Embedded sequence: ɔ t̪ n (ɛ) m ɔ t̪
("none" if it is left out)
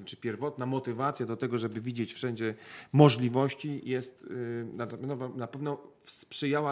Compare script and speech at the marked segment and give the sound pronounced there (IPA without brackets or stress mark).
a